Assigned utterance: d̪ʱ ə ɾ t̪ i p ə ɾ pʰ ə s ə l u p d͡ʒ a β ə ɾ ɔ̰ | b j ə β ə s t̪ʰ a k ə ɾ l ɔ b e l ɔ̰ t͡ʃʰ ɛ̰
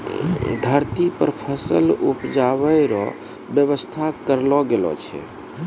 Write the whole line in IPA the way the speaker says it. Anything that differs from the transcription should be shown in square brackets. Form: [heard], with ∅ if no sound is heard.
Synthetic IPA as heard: d̪ʱ ə ɾ t̪ i p ə ɾ pʰ ə s ə l u p d͡ʒ a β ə ɾ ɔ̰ | b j ə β ə s t̪ʰ a k ə ɾ l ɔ [ɡ] e l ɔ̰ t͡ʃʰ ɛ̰